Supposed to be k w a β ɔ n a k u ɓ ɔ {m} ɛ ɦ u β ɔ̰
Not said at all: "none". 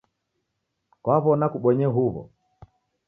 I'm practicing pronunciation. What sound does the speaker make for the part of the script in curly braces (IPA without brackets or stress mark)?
ɲ